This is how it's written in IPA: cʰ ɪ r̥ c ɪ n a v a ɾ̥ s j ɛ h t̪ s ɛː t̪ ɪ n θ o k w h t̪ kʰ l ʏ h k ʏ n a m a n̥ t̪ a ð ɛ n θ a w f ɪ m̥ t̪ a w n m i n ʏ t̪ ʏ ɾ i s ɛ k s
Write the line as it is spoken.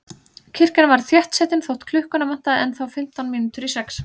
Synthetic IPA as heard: cʰ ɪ r̥ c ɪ n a v a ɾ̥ θ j ɛ h t̪ s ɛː t̪ ɪ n θ o w h t̪ kʰ l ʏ h k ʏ n a m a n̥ t̪ a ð ɛ n θ a w f ɪ m̥ t̪ a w n m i n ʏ t̪ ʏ ɾ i s ɛ k s